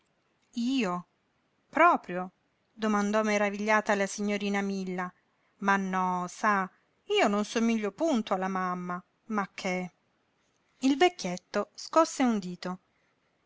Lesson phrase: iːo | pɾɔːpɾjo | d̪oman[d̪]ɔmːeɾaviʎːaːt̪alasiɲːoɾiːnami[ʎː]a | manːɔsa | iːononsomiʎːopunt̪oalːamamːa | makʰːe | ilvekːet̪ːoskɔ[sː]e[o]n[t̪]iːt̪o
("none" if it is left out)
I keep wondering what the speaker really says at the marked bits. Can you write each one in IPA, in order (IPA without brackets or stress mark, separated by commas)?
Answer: d̪, lː, sː, u, d̪